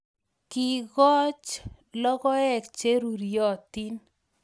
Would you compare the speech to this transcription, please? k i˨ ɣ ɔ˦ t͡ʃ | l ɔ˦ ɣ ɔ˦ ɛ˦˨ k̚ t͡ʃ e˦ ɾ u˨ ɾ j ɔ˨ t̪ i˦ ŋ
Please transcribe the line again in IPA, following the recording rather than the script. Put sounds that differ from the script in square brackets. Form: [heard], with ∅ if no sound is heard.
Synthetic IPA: k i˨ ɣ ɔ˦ t͡ʃ | l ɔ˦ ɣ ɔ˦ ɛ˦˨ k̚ t͡ʃ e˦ ɾ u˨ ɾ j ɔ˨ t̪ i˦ [n]